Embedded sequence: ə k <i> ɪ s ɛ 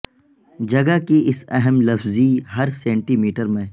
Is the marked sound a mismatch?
no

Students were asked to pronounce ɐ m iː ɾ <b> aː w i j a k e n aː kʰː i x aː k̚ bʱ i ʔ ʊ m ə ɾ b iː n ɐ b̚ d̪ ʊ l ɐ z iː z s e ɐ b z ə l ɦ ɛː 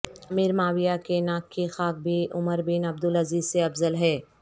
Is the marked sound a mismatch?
yes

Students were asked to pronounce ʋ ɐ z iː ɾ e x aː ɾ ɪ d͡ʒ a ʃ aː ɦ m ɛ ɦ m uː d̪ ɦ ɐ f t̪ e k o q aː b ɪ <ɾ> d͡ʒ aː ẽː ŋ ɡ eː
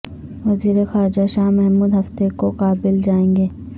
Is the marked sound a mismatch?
yes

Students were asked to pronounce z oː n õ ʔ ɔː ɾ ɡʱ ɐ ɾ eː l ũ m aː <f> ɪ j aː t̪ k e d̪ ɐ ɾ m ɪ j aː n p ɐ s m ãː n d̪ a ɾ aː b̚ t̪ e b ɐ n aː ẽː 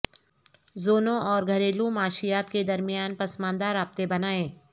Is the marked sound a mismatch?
yes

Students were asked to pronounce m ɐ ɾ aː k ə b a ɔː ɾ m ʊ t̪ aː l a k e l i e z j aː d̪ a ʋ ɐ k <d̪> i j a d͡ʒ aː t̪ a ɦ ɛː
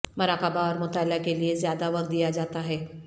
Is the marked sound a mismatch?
no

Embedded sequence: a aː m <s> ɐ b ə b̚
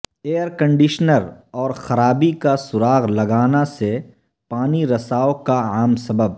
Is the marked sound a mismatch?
no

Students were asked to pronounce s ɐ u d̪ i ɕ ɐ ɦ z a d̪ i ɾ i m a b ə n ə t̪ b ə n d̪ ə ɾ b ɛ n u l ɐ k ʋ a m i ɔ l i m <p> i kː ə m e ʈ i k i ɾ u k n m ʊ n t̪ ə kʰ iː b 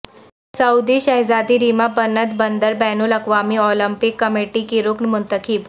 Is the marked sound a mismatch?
no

